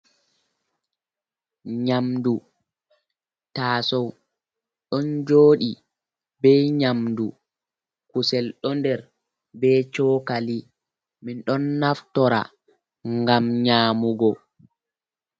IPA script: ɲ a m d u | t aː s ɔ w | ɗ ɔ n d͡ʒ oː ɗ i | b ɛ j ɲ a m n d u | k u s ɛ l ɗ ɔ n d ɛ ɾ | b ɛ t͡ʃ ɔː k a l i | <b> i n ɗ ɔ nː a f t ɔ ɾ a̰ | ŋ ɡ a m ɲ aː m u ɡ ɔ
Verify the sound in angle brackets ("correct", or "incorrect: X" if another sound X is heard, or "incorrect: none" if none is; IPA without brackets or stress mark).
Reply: incorrect: m